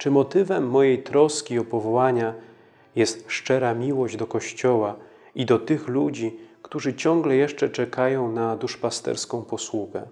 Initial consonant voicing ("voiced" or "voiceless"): voiceless